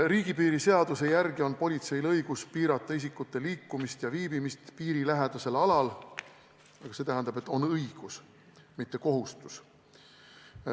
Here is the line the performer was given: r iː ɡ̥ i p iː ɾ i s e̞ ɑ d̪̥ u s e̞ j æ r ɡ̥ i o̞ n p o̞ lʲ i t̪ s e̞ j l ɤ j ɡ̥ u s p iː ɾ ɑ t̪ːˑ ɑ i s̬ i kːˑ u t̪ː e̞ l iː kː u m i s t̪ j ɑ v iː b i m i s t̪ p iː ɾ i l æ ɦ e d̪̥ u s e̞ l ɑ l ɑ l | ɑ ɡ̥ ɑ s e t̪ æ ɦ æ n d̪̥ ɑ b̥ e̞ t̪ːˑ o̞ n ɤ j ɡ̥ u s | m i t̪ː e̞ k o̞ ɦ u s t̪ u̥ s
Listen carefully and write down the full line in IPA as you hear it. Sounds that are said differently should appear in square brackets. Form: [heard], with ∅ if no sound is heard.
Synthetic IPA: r iː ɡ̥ i p iː ɾ i s e̞ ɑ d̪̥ u s e̞ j æ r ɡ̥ i o̞ n p o̞ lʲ i t̪ s e̞ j l ɤ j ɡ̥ u s p iː ɾ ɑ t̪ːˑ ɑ i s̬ i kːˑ u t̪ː e̞ l iː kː u m i s t̪ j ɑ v iː b i m i s t̪ p iː ɾ i l æ ɦ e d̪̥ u s e̞ l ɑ l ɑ l | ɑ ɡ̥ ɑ s e t̪ æ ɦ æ n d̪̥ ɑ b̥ e̞ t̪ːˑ o̞ n ɤ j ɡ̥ u s | m i t̪ː e̞ k o̞ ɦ u s t̪ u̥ s